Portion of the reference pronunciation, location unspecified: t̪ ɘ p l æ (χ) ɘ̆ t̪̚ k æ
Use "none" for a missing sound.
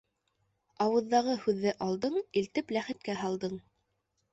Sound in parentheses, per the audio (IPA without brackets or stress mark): χ